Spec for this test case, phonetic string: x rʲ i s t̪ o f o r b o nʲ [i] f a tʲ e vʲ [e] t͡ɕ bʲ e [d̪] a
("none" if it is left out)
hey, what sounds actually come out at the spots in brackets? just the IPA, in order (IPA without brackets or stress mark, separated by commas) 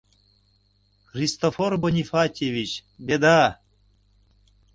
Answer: i, i, d̪